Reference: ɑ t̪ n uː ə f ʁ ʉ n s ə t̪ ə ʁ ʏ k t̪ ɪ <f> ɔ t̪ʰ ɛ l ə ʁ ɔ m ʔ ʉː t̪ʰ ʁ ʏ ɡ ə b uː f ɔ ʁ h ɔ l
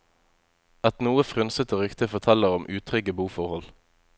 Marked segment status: correct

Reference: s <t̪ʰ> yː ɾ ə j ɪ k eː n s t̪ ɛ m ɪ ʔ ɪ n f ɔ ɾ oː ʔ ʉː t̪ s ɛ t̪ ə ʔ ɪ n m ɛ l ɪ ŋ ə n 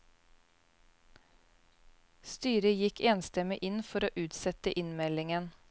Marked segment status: incorrect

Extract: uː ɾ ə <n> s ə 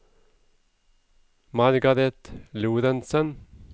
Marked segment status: correct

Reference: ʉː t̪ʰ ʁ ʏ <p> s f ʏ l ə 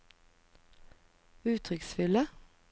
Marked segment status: incorrect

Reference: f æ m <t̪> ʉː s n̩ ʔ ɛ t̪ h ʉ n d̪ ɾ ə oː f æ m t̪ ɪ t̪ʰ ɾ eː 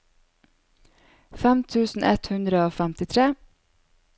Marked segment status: incorrect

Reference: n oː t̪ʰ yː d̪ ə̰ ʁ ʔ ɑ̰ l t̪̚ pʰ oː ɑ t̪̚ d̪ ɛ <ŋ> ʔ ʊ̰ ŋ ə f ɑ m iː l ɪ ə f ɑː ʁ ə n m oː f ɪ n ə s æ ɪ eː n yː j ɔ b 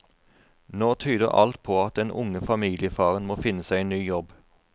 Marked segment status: incorrect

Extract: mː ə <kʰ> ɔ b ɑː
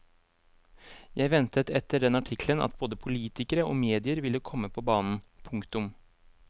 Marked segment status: incorrect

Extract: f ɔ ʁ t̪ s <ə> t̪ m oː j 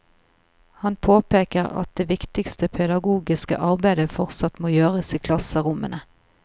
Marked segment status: incorrect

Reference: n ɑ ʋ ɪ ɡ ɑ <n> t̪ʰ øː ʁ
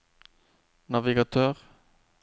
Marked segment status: incorrect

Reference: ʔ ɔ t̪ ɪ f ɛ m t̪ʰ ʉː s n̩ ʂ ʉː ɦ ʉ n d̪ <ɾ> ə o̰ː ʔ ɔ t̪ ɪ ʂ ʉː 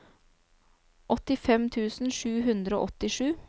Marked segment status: correct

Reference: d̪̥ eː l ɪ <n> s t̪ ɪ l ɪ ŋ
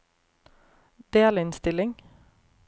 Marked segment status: correct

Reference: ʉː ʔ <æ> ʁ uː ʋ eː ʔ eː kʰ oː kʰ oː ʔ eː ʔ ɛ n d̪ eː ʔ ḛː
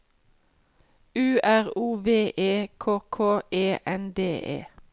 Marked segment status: correct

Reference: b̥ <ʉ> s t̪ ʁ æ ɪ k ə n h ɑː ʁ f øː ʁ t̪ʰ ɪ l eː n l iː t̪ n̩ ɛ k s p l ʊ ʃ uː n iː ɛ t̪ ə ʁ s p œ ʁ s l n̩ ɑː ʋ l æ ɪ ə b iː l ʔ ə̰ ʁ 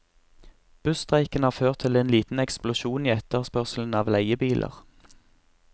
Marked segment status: correct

